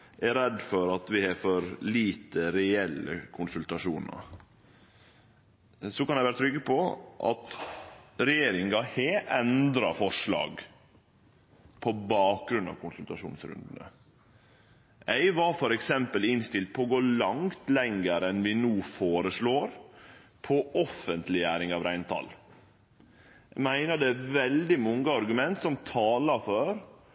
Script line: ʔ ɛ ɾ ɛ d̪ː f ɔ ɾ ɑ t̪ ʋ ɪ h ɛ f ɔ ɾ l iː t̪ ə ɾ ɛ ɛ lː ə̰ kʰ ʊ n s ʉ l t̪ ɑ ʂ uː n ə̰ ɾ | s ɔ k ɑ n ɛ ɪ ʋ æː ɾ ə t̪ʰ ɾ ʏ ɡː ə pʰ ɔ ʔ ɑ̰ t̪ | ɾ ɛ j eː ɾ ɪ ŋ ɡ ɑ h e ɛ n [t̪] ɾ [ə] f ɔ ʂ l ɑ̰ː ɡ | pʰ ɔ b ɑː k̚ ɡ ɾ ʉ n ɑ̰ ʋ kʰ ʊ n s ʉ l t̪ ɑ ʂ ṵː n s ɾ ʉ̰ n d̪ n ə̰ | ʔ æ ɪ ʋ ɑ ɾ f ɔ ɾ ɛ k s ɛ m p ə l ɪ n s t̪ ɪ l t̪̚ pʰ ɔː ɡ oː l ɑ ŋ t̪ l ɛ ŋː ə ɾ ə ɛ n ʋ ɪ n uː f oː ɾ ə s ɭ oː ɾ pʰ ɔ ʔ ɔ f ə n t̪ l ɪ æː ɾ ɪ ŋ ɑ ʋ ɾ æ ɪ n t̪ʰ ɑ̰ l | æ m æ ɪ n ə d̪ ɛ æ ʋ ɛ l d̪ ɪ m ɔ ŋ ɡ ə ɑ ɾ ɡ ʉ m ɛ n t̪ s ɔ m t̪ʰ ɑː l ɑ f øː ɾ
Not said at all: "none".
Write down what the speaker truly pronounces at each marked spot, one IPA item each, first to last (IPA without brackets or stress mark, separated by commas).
d̪, ɑ